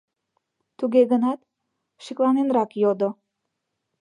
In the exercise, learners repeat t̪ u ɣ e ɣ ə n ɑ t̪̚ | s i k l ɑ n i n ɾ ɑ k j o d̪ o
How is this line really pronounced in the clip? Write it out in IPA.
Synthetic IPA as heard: t̪ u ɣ e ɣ ə n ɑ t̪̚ | ʃ i k l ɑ n e n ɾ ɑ k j o d̪ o